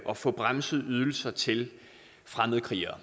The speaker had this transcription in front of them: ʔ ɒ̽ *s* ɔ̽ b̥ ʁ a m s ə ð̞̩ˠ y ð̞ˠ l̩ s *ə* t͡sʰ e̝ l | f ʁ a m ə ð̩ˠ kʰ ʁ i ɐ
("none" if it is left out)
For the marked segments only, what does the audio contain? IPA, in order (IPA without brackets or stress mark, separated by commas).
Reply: f, ɐ